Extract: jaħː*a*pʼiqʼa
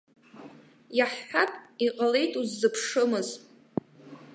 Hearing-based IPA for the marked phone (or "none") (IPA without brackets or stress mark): a